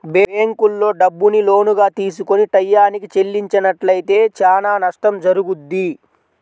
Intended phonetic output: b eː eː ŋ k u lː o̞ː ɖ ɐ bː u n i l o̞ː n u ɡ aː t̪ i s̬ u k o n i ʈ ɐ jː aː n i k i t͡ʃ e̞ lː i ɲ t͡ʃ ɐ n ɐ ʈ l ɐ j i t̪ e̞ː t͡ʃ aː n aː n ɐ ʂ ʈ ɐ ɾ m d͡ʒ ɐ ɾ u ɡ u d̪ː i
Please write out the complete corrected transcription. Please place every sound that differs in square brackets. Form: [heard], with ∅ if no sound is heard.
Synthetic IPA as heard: b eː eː ŋ k u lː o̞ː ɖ ɐ bː u n i l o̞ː n u ɡ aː t̪ [iː] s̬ u k o n i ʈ ɐ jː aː n i k i t͡ʃ e̞ lː i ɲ t͡ʃ ɐ n ɐ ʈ l ɐ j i t̪ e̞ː t͡ʃ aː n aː n ɐ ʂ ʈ ɐ [∅] m d͡ʒ ɐ ɾ u ɡ u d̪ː i